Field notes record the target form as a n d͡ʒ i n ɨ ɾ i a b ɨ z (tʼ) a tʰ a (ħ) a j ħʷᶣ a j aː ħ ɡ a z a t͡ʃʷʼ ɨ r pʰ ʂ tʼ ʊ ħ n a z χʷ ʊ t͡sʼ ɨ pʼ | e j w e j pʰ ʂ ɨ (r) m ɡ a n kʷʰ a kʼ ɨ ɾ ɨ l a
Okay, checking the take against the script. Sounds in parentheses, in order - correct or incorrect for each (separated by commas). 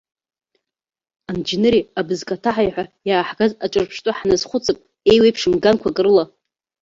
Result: incorrect, correct, incorrect